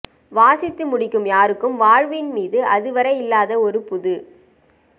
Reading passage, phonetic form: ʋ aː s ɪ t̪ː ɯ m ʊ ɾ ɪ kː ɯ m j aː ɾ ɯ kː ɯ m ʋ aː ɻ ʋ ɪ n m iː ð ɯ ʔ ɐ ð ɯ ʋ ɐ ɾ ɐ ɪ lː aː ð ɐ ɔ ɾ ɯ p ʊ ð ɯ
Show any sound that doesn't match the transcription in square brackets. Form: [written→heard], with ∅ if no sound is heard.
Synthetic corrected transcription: ʋ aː s ɪ t̪ː ɯ m ʊ [ɾ→ɽ] ɪ kː ɯ m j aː ɾ ɯ kː ɯ m ʋ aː ɻ ʋ ɪ n m iː ð ɯ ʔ ɐ ð ɯ ʋ ɐ ɾ ɐ ɪ lː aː ð ɐ ɔ ɾ ɯ p ʊ ð ɯ